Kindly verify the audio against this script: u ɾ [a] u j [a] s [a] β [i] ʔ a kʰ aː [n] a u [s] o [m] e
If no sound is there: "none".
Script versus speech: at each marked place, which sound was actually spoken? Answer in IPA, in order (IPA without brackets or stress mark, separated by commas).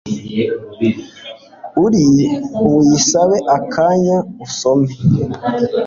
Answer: i, i, a, e, ɲ, s, m